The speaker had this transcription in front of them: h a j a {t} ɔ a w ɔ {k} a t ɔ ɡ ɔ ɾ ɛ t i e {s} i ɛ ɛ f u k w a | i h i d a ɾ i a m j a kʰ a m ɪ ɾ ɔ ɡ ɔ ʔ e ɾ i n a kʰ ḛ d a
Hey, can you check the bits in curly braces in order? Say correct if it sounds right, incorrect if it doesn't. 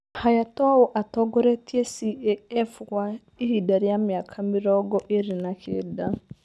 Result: correct, incorrect: ʔ, correct

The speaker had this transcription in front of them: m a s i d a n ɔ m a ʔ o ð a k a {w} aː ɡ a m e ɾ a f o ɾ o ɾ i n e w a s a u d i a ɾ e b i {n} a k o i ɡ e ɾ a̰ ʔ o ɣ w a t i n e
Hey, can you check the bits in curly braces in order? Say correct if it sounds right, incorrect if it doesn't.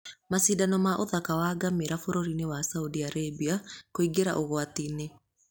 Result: correct, incorrect: none

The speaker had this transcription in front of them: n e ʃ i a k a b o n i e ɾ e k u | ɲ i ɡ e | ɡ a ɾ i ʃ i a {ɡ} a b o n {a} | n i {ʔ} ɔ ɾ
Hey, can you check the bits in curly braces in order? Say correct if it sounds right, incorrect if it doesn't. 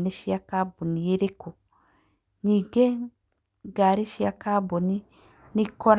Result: incorrect: k, incorrect: i, incorrect: k

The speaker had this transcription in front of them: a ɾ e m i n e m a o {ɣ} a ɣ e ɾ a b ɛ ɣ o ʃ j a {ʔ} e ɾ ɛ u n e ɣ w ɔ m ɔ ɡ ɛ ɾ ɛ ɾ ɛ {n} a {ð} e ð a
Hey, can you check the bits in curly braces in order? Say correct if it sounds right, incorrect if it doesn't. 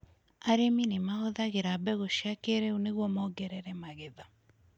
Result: incorrect: ð, incorrect: k, incorrect: m, incorrect: ɣ

